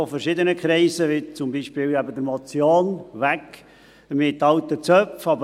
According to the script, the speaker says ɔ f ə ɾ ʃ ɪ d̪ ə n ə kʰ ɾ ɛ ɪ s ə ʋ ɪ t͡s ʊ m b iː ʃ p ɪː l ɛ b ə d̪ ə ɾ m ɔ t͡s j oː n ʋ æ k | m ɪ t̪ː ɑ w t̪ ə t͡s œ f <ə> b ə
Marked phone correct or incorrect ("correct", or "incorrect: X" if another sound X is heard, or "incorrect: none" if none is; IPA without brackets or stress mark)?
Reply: incorrect: ɑ